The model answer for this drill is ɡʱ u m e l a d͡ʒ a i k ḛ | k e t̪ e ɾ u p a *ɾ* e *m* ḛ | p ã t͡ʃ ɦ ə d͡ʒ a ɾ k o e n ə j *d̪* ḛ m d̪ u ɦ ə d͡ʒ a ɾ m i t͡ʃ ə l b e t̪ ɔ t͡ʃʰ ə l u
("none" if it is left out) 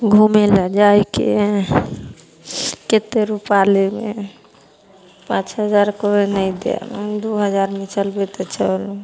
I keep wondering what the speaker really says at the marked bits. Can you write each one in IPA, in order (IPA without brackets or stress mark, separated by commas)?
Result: l, m, d̪